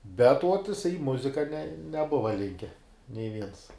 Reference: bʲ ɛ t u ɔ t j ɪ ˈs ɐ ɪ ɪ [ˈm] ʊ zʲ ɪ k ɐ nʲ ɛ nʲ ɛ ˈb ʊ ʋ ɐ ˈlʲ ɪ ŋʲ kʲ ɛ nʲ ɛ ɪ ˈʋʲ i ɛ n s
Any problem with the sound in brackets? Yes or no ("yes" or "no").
no